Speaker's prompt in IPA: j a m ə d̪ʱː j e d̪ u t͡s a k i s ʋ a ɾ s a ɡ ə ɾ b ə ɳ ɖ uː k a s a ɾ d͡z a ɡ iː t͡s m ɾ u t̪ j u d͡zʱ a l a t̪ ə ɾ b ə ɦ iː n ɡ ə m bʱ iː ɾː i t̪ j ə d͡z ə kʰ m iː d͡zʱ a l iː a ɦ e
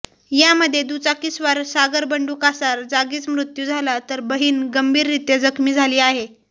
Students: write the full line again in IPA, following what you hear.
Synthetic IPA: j a m ə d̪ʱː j e d̪ u t͡s a k i s ʋ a ɾ s a ɡ ə ɾ b ə ɳ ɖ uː k a s a ɾ d͡z a ɡ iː t͡s m ɾ u t̪ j u d͡zʱ a l a t̪ ə ɾ b ə ɦ iː n ɡ ə m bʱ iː ɾː i t̪ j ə d͡z ə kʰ m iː d͡zʱ a l iː a ɦ e